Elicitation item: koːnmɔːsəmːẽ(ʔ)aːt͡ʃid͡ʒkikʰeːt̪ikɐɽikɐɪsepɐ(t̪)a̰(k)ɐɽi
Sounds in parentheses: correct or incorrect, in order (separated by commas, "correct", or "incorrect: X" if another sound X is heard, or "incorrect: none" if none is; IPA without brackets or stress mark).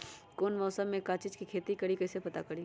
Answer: incorrect: k, correct, correct